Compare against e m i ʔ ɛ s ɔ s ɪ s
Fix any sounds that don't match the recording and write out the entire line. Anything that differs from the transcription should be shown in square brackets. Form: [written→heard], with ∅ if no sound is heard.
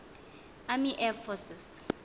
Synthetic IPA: [e→a] m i ʔ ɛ [s→f] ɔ s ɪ s